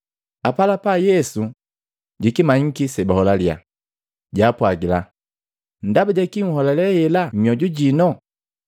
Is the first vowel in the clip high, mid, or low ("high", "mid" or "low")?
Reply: low